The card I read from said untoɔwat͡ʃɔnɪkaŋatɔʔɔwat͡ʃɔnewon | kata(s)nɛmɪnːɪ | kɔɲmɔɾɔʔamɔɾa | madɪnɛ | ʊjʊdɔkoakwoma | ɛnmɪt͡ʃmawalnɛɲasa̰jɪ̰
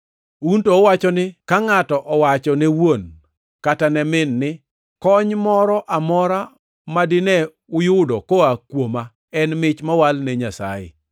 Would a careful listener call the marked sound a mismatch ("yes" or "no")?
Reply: yes